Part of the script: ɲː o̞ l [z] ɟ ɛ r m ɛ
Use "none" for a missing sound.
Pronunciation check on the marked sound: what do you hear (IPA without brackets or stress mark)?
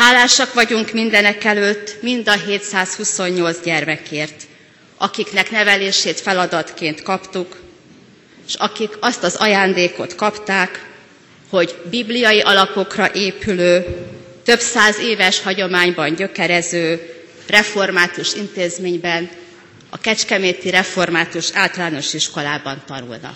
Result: z